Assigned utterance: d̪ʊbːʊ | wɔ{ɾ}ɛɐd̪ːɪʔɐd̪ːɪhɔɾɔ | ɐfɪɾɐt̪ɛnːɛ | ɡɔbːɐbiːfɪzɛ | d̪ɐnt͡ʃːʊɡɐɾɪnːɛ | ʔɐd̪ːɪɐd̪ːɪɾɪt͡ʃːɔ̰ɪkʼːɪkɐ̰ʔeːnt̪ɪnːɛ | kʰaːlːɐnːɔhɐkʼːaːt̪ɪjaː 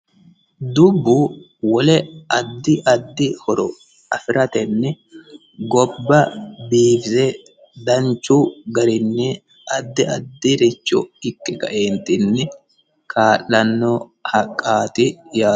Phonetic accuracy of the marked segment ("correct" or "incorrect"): incorrect